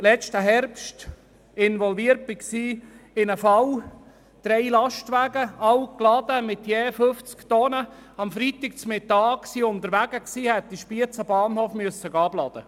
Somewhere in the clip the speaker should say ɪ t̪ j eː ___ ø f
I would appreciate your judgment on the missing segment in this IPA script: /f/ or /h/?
f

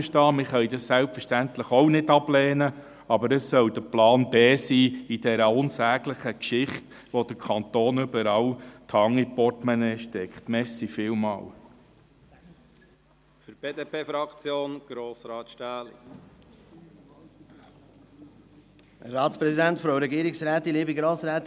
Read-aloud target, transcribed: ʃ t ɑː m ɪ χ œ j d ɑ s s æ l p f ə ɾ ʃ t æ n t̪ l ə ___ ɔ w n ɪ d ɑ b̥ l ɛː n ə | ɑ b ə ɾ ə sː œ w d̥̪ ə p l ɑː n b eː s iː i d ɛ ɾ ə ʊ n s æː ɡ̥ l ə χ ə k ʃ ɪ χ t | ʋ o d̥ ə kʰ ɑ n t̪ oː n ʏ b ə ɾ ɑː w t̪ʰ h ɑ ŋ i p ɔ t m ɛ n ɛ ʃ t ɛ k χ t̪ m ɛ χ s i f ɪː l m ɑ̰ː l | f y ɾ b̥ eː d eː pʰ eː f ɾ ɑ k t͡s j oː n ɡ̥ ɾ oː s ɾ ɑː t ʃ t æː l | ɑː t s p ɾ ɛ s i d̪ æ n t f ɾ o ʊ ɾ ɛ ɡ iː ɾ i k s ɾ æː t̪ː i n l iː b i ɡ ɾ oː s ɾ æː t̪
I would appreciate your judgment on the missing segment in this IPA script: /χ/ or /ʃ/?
χ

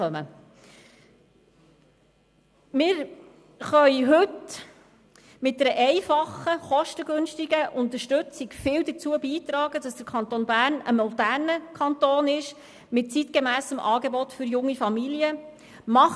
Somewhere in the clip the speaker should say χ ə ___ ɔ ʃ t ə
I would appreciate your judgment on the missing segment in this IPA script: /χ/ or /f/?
χ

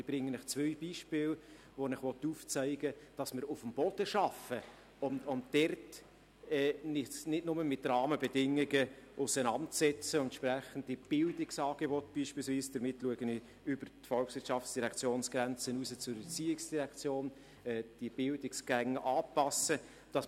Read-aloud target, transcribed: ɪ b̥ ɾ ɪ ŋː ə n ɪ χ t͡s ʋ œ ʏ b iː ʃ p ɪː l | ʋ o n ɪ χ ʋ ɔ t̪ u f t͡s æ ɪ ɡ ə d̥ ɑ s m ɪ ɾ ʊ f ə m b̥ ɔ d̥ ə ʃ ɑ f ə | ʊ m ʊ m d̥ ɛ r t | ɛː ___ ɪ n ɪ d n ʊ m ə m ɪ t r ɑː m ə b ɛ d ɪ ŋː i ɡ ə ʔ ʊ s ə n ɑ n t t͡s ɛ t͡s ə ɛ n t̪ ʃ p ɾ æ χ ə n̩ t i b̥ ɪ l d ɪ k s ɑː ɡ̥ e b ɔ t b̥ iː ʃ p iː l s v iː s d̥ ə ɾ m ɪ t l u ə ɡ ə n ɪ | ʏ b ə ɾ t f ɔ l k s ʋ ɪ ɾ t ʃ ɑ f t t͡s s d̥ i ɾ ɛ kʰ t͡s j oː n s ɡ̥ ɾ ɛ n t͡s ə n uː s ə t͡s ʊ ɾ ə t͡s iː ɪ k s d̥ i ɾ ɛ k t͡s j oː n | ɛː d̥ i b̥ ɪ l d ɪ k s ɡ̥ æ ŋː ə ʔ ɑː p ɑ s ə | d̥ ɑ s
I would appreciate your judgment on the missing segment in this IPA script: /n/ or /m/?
n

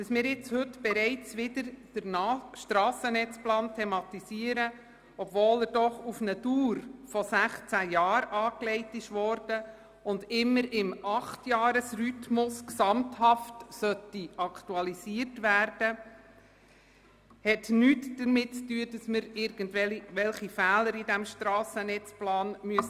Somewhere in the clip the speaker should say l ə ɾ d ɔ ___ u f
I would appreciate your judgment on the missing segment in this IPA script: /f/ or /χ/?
χ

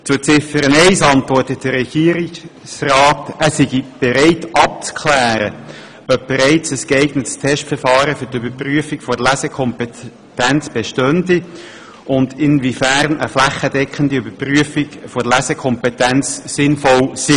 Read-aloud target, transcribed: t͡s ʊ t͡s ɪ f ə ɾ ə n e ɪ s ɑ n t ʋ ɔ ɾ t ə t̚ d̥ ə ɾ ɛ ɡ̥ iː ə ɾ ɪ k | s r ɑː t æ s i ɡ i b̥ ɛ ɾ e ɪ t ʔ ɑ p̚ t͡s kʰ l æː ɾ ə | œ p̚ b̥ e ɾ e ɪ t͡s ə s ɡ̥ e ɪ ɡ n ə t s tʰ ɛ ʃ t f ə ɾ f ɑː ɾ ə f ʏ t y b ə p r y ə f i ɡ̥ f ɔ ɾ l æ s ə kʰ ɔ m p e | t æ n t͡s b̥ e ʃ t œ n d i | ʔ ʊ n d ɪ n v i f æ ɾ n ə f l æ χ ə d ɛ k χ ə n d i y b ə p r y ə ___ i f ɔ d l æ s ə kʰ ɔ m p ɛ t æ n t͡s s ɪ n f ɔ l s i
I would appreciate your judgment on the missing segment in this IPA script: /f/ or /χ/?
f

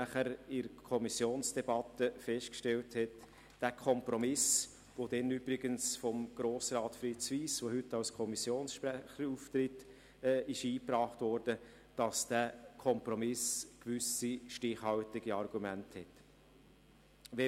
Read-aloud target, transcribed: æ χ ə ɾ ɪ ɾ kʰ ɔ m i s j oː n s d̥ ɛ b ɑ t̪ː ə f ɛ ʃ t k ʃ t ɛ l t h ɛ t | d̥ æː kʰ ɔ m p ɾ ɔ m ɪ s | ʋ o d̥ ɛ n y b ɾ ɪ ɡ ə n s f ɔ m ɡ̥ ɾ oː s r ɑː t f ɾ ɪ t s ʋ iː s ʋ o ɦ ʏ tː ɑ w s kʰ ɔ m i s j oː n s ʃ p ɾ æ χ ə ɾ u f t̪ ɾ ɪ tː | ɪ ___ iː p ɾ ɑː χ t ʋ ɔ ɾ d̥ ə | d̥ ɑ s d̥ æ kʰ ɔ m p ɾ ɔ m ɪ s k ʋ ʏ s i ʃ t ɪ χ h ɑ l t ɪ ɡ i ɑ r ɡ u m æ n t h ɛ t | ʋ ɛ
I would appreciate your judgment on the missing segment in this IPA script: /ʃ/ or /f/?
ʃ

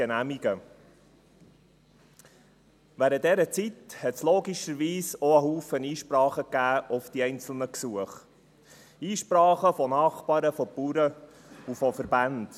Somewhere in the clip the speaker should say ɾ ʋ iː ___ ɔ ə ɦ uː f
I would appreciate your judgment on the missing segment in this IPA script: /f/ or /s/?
s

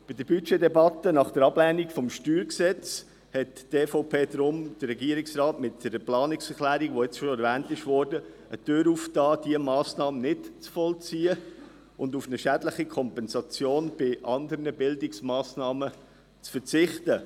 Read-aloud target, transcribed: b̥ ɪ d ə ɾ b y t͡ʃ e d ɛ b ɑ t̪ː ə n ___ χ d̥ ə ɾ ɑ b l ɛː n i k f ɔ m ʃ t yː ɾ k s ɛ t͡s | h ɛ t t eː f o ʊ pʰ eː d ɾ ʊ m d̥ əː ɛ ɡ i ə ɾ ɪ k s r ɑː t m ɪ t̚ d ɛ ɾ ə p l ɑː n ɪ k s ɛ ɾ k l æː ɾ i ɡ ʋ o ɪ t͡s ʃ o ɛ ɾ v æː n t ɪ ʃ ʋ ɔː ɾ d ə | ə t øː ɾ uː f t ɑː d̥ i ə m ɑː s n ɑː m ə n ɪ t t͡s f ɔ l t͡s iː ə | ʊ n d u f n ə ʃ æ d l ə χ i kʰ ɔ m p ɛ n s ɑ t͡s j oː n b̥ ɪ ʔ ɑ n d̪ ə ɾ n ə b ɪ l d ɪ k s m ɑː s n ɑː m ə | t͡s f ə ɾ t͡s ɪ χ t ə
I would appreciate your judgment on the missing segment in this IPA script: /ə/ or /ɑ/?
ɑ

